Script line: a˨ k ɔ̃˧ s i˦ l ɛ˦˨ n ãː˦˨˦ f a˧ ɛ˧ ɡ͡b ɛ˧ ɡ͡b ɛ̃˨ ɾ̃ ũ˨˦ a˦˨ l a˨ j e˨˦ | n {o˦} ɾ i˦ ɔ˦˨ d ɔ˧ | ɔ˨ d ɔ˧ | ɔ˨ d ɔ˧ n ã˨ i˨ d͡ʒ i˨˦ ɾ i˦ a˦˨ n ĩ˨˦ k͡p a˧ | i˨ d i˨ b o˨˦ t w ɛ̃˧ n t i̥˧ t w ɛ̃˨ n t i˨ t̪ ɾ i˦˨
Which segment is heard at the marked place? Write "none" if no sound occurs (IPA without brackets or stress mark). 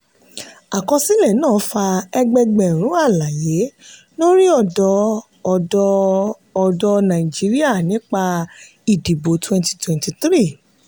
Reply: o˦